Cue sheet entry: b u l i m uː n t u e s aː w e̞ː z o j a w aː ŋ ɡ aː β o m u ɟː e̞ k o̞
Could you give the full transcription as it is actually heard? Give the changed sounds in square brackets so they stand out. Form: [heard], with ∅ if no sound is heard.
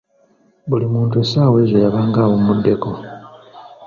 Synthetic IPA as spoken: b u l i m uː n t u e s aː w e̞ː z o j a [β] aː ŋ ɡ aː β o m u [dː] e̞ k o̞